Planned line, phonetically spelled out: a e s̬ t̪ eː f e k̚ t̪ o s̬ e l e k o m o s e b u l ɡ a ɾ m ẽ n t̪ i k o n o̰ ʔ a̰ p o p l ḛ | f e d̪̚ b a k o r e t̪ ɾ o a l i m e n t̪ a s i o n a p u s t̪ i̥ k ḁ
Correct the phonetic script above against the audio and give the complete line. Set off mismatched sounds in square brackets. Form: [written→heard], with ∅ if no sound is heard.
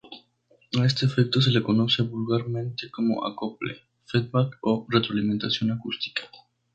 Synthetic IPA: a e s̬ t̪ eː f e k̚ t̪ o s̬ e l e k o [m→n] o s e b u l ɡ a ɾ m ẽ n t̪ [i→e] k o [n→m] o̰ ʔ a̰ [p→k] o p l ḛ | f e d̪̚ b a k o r e t̪ ɾ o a l i m e n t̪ a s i o n a [p→k] u s t̪ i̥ k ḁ